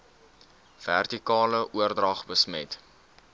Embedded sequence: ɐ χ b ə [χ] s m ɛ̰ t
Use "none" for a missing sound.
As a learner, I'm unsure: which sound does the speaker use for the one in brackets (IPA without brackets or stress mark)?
none